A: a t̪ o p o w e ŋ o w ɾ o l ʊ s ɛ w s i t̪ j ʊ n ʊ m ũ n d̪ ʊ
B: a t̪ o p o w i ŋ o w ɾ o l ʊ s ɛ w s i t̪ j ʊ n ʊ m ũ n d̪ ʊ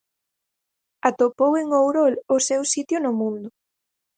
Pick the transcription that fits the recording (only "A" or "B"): A